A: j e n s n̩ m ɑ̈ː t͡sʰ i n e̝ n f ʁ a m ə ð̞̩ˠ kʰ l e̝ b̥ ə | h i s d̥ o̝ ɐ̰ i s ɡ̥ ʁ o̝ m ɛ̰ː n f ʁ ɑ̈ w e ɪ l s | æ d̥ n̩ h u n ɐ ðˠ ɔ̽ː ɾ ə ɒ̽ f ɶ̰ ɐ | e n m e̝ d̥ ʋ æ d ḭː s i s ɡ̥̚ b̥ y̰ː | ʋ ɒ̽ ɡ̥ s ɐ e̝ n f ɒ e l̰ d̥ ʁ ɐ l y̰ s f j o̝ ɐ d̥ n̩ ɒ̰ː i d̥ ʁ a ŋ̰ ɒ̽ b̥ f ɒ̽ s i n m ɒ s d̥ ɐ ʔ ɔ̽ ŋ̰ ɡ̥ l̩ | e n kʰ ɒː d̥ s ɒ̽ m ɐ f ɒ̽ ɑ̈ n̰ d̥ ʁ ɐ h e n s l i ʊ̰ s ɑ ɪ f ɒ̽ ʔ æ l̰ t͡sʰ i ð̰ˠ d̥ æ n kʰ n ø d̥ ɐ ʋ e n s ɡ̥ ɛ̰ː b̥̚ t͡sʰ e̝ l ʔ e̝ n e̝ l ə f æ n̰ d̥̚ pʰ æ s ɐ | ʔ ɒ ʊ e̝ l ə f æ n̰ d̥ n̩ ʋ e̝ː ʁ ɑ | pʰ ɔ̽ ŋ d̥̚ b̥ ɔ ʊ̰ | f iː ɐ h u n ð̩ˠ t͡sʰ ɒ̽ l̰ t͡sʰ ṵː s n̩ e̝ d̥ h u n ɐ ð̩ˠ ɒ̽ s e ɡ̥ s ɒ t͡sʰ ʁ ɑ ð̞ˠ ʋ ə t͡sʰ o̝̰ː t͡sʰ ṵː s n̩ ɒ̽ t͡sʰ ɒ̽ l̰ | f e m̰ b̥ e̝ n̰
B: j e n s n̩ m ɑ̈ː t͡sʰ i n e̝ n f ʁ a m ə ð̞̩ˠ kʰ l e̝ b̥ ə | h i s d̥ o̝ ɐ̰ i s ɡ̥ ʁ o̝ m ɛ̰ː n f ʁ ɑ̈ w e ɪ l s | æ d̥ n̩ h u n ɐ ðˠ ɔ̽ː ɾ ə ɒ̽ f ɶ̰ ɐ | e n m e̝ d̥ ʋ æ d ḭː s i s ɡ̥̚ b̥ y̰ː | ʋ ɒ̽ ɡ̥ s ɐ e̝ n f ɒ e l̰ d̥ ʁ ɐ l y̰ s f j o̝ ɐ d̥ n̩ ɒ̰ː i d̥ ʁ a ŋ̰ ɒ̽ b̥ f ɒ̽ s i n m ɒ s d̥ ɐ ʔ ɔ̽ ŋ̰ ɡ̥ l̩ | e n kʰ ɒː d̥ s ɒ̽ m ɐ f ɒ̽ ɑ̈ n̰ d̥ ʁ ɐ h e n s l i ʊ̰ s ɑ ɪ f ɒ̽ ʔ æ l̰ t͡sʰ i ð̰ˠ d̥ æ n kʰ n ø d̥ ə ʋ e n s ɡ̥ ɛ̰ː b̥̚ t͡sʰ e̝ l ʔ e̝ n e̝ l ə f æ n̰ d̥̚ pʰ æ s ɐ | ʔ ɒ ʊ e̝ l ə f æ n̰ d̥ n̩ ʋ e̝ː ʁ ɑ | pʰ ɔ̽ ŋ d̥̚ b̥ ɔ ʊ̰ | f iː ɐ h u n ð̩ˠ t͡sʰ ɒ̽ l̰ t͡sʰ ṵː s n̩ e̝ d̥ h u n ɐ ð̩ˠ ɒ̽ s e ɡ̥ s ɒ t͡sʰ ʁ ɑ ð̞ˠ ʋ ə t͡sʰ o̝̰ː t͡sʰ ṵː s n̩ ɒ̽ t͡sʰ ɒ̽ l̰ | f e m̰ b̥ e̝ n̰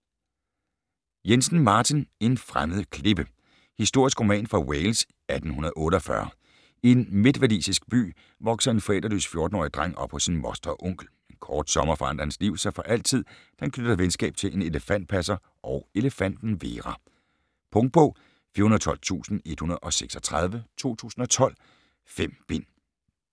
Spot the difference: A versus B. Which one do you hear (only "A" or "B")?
A